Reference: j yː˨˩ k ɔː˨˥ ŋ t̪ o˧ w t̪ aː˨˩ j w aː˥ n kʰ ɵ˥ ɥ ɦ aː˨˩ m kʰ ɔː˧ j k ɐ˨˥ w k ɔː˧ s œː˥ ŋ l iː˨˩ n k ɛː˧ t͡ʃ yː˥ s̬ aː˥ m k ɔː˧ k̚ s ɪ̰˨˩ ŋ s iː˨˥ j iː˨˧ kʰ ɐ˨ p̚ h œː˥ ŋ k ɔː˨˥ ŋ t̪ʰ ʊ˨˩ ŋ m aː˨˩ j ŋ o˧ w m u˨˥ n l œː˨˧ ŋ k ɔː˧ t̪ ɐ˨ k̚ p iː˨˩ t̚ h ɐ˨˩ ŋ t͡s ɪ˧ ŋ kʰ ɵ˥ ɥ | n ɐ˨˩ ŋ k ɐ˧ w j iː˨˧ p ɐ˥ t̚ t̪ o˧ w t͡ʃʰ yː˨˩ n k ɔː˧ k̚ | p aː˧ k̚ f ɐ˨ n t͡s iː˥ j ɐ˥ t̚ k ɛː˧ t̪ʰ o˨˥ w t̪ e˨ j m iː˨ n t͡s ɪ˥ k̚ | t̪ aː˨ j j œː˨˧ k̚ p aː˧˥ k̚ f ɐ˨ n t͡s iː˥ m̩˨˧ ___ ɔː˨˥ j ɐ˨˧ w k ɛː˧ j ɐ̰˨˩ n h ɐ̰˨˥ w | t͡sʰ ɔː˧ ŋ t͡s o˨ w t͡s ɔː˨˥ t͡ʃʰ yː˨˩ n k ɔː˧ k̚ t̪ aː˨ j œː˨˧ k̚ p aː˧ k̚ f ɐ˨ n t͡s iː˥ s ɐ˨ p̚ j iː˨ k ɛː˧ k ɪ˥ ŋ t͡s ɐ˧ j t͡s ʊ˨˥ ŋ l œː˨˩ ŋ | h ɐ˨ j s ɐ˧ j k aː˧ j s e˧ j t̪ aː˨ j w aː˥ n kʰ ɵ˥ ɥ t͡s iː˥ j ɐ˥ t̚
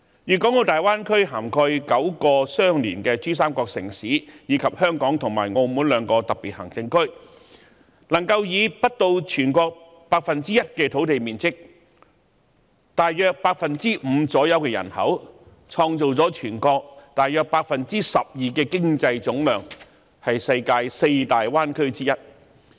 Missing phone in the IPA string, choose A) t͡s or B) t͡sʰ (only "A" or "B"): A